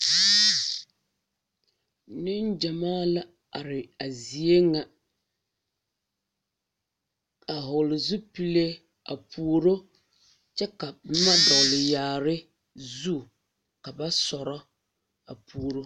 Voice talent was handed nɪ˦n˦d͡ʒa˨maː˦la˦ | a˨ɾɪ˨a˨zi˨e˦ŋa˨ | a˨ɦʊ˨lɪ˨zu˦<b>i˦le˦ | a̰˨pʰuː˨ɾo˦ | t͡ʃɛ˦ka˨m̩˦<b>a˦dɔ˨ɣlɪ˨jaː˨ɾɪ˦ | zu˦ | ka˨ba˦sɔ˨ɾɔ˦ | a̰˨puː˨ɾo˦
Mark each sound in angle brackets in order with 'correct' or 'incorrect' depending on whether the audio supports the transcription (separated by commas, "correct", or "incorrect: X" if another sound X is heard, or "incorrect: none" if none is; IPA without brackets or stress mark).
incorrect: p, incorrect: m